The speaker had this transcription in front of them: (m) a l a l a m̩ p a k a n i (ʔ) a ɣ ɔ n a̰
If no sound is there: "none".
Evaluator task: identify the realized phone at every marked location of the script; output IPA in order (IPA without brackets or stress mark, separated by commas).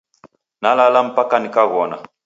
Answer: n, k